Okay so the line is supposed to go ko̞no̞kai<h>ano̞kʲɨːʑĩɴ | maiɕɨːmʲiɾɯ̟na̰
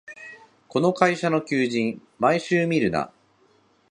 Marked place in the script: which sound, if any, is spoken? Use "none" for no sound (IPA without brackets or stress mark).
ɕ